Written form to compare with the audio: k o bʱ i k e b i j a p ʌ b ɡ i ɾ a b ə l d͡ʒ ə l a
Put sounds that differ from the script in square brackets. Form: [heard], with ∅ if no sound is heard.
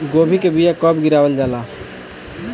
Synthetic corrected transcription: [ɡ] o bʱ i k e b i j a [k] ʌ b ɡ i ɾ a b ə l d͡ʒ [a] l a